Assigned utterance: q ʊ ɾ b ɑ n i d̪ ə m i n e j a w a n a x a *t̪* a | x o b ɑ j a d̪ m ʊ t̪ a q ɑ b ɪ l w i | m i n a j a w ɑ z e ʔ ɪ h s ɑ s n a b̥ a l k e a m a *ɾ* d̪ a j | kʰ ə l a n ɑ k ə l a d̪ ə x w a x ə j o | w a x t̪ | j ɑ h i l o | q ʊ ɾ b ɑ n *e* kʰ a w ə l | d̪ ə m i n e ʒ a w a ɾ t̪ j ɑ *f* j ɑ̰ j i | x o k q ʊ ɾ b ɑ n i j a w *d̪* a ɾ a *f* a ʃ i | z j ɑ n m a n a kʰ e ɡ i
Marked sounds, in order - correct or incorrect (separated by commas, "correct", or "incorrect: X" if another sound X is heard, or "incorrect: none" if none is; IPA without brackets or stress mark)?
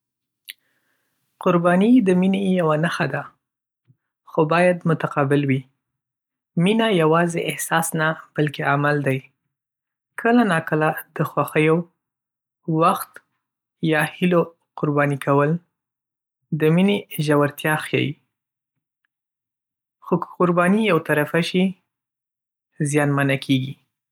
incorrect: d̪, incorrect: l, incorrect: i, incorrect: x, incorrect: t̪, correct